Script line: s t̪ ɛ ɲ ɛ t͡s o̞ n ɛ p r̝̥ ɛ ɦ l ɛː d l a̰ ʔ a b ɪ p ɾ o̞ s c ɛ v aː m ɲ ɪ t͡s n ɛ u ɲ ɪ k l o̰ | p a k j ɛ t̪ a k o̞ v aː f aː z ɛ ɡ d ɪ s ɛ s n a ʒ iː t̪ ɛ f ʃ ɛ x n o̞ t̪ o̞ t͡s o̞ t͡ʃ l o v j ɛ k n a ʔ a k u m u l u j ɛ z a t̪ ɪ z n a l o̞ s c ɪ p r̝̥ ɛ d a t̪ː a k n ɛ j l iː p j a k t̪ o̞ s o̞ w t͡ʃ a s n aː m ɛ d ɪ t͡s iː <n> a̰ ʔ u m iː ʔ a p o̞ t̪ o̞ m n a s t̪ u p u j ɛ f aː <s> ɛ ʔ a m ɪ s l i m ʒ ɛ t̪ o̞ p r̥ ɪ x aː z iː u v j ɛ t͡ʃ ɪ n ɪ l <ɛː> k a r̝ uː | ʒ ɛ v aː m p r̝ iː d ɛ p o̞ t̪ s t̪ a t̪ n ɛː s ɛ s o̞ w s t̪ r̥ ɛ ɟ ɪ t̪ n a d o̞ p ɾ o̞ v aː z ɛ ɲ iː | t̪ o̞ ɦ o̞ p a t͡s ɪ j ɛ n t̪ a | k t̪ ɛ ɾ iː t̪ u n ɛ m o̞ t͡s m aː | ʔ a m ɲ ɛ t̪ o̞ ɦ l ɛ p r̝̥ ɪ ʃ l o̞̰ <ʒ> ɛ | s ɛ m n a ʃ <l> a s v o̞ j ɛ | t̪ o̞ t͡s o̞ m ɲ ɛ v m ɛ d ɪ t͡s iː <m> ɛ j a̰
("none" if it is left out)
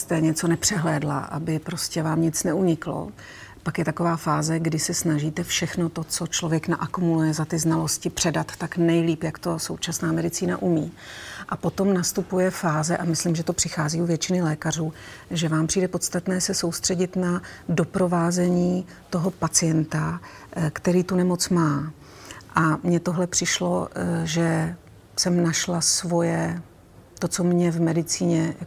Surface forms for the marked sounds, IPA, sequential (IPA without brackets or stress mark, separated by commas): n, z, ɛː, ʒ, l, ɲ